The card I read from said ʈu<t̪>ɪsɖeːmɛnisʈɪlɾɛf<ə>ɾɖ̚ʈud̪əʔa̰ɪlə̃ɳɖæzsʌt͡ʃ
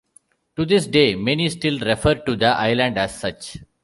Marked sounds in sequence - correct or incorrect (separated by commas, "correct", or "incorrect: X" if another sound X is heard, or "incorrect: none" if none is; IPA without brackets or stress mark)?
incorrect: d̪, correct